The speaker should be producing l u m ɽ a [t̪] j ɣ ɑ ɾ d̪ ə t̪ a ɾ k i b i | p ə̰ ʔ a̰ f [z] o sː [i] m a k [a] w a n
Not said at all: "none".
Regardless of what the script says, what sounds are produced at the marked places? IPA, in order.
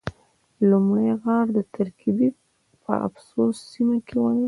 none, s, i, e

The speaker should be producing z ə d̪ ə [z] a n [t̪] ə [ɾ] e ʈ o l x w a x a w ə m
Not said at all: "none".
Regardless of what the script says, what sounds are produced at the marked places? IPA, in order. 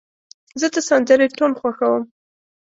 s, d̪, ɾ

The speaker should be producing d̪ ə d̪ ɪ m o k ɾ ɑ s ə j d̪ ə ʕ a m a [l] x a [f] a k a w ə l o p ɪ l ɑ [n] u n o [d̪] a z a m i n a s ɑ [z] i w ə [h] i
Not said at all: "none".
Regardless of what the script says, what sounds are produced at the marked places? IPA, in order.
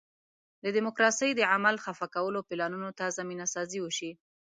l, f, n, t̪, z, ʃ

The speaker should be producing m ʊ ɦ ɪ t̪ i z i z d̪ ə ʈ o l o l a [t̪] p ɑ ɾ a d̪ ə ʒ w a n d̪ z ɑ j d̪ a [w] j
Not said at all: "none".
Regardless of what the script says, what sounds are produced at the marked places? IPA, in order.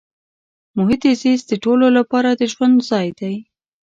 none, none

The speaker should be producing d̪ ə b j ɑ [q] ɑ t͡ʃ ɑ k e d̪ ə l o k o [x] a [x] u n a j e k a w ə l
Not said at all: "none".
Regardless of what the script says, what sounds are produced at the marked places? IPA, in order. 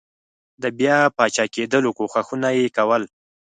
p, x, x

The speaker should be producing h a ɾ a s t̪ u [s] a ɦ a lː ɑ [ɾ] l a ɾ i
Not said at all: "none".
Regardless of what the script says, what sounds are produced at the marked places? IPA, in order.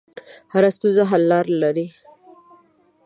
z, ɾ

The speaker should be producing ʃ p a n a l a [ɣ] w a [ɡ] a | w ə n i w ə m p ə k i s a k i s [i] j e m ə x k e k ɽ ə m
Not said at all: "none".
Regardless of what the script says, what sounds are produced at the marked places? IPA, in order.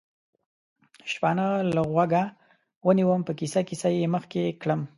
ɣ, ɡ, a

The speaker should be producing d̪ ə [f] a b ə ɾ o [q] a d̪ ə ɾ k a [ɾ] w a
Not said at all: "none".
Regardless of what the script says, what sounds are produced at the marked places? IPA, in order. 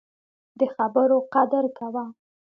x, q, none

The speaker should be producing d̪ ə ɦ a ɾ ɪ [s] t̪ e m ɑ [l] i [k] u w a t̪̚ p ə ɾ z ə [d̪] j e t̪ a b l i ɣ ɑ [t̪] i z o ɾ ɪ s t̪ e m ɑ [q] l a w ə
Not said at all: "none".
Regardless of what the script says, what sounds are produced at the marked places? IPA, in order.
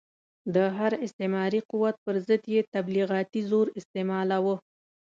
s, ɾ, q, d̪, t̪, none

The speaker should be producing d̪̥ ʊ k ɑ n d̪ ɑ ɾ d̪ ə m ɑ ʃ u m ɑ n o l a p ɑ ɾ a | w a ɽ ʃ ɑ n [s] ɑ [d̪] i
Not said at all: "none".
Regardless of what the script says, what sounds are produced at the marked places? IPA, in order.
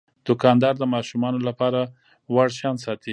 s, t̪

